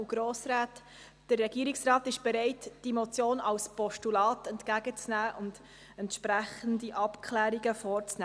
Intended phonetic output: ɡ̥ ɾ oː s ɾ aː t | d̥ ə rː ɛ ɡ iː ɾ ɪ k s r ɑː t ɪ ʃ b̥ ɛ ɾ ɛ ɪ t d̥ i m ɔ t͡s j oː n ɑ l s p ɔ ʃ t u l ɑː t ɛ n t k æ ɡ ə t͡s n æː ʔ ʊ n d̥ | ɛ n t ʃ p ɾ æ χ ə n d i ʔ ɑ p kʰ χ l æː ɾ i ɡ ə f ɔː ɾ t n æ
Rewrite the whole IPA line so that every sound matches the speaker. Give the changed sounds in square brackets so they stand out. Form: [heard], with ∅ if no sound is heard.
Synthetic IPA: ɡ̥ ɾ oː s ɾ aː t | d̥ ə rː ɛ ɡ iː ɾ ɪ k s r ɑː t ɪ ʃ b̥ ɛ ɾ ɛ ɪ t d̥ i m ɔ t͡s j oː n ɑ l s p ɔ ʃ t u l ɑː t ɛ n t k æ ɡ ə t͡s n æː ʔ ʊ n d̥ | ɛ n t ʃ p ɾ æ χ ə n d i ʔ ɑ p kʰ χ l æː ɾ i ɡ ə f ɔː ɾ [t͡s] n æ